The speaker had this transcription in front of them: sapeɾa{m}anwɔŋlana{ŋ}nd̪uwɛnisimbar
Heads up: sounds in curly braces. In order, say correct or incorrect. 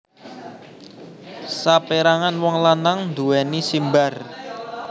incorrect: ŋ, correct

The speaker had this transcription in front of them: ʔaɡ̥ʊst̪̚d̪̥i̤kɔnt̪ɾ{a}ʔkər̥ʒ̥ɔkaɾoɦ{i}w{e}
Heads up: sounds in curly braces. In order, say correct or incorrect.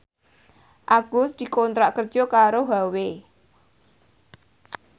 correct, incorrect: a, correct

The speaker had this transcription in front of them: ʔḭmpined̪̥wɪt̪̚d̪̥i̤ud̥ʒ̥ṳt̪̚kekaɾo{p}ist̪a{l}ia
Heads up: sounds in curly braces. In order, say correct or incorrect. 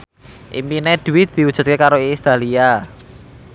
incorrect: none, correct

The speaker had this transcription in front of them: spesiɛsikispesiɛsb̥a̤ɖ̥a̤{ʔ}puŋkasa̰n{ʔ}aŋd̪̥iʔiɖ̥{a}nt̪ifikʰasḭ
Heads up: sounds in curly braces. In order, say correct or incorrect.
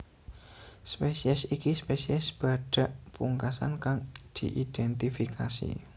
correct, incorrect: k, incorrect: ɛ

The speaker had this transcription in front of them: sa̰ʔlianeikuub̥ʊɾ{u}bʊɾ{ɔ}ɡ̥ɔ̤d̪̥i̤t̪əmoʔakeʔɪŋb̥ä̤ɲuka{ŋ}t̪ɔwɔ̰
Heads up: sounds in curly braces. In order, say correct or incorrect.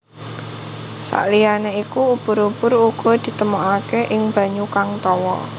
correct, incorrect: u, correct

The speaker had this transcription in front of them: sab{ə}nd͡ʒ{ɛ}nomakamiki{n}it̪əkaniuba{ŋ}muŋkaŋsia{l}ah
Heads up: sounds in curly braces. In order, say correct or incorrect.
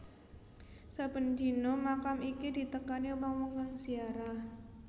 correct, incorrect: i, incorrect: d, correct, incorrect: ɾ

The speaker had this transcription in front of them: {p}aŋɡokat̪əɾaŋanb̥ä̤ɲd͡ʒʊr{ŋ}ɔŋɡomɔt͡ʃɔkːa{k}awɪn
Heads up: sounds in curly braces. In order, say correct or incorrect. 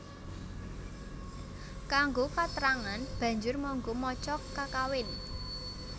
incorrect: k, incorrect: m, correct

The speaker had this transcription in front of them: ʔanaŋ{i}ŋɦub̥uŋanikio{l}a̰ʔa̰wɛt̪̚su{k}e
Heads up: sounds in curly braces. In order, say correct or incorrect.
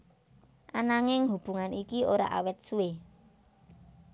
incorrect: ɪ, incorrect: ɾ, incorrect: none

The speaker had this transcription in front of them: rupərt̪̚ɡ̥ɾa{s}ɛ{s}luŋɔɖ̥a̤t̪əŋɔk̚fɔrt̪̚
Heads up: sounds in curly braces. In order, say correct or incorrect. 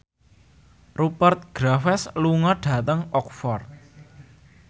incorrect: f, correct

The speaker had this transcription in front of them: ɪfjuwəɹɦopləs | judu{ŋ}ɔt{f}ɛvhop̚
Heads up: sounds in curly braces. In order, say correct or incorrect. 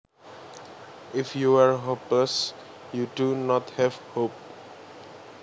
incorrect: n, incorrect: h

